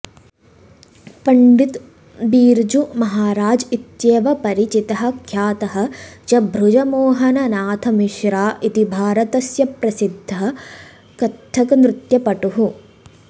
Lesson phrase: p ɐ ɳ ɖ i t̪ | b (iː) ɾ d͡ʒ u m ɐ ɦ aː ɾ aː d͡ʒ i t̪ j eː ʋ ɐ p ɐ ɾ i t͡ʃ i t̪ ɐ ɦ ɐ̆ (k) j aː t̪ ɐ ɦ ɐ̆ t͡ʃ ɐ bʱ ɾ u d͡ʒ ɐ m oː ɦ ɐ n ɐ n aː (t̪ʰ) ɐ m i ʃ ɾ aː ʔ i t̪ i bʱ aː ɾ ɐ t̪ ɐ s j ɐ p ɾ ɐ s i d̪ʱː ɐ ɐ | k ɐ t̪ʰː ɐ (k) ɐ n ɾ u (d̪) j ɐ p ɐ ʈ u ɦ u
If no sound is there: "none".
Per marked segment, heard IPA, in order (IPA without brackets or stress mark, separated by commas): iː, kʰ, t̪ʰ, k, t̪